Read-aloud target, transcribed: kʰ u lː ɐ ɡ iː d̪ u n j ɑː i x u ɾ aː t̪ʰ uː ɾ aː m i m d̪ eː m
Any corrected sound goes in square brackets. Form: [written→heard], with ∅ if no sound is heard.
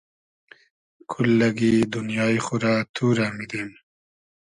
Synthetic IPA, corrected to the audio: kʰ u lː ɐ ɡ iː d̪ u n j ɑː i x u ɾ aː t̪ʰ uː ɾ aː m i [m→∅] d̪ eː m